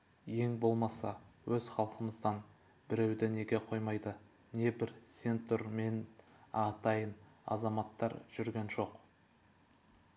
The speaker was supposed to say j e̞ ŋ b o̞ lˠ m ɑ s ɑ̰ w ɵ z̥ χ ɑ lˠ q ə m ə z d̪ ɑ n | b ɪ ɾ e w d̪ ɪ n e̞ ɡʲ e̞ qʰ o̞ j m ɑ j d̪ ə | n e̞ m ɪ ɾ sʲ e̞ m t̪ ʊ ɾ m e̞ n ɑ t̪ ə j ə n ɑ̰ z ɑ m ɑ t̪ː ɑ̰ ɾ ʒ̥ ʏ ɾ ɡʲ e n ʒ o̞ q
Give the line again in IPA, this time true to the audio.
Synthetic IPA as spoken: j e̞ ŋ b o̞ lˠ m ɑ s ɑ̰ w ɵ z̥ χ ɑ lˠ q ə m ə z d̪ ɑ n | b ɪ ɾ e w d̪ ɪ n e̞ ɡʲ e̞ qʰ o̞ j m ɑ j d̪ ə | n e̞ b ɪ ɾ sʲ e̞ n t̪ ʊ ɾ m e̞ n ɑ t̪ ɑ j ə n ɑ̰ z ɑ m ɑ t̪ː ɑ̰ ɾ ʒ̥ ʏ ɾ ɡʲ e n ʒ o̞ q